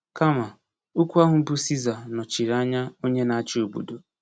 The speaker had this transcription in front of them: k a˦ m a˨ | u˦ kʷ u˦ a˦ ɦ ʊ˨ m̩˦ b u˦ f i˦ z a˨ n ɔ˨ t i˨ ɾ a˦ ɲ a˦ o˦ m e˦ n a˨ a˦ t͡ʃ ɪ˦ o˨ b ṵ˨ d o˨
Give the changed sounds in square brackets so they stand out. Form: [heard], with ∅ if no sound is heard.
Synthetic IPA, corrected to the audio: k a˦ m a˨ | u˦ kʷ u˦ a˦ ɦ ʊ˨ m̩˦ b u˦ [s] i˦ z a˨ n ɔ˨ [t͡ʃ] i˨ ɾ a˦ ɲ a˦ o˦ [ɲ] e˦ n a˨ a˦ t͡ʃ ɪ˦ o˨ b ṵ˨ d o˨